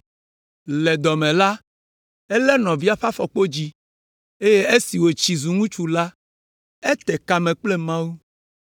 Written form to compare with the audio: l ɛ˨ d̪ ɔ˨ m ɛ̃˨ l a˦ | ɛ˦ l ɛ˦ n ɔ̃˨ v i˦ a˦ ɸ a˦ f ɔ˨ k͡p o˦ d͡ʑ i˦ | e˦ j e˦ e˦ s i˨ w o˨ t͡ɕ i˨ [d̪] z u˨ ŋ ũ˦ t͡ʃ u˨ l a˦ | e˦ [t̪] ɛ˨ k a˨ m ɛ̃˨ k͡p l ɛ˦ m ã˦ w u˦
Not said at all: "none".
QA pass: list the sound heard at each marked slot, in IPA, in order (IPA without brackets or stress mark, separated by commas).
none, t̪